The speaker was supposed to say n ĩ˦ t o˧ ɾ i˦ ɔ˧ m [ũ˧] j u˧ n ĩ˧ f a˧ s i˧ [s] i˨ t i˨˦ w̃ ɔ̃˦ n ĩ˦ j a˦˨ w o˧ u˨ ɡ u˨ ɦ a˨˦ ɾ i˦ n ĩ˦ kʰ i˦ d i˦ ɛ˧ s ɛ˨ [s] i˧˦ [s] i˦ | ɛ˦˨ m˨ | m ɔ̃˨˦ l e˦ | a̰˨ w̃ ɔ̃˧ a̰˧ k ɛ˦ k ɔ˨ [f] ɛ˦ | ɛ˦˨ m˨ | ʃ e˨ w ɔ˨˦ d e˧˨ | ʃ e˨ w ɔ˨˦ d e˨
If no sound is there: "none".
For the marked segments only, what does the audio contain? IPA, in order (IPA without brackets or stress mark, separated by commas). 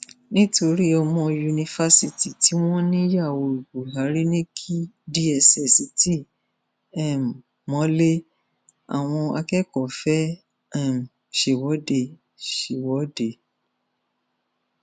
ɔ̃˧, t, s, t, f